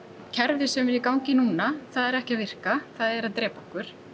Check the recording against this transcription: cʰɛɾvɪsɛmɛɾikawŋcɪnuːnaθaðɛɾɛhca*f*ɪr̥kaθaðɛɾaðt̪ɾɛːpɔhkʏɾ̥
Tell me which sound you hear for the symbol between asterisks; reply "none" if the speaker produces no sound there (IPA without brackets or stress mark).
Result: v